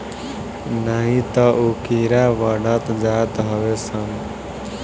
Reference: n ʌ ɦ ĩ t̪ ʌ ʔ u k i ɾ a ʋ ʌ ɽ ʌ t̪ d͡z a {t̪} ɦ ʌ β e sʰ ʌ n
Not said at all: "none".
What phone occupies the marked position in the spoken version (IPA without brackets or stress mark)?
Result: t̪